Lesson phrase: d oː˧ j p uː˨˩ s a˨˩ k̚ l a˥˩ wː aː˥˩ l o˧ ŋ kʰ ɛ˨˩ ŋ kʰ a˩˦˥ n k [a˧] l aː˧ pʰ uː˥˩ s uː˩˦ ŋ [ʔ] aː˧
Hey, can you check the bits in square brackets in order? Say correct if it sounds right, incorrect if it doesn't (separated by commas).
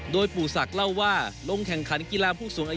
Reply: incorrect, correct